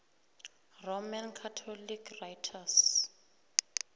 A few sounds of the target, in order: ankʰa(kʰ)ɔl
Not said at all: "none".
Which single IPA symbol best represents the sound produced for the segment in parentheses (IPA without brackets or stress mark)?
tʰ